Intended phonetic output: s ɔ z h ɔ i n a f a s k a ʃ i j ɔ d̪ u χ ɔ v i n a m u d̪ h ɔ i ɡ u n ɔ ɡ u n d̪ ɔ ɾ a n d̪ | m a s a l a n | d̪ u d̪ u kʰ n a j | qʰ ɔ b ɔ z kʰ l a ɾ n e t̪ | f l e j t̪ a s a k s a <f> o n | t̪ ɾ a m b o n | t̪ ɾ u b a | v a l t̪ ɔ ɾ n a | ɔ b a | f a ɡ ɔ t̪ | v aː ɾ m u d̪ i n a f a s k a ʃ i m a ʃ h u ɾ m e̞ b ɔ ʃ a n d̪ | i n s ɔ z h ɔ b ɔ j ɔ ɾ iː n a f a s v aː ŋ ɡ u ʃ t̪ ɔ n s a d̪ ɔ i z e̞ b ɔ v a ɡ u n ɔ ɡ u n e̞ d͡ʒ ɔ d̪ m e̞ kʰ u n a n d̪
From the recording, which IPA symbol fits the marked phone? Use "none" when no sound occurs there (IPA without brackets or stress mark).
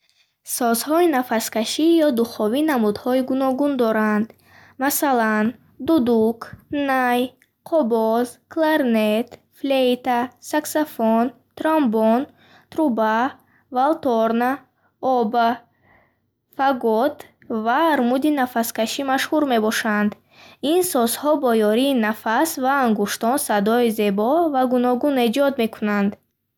f